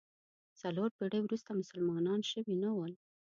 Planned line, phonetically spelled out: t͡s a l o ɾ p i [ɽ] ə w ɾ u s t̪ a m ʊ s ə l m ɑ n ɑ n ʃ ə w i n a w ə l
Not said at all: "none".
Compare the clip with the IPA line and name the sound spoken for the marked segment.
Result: ɽ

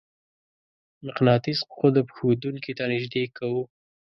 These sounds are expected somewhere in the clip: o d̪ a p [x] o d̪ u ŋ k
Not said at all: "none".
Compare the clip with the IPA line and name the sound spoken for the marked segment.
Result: x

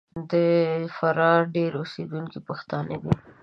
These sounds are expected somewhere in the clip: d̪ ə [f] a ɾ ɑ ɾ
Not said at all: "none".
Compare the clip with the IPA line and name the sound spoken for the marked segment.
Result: f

